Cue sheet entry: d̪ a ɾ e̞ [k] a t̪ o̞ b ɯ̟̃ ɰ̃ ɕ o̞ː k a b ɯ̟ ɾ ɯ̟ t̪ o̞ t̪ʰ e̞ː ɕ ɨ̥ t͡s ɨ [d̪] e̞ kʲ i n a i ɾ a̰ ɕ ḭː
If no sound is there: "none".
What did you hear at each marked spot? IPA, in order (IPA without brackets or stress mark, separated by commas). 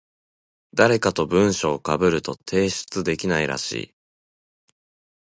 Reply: k, d̪